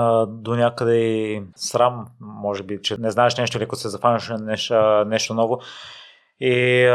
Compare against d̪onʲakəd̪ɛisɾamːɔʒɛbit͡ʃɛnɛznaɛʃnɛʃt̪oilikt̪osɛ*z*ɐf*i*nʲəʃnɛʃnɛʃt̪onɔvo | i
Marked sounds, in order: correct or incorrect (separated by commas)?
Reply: correct, incorrect